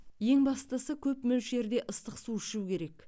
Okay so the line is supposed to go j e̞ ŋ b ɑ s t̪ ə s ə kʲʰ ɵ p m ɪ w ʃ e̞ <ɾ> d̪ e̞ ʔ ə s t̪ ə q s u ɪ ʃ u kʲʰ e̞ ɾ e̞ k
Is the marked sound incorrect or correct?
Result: correct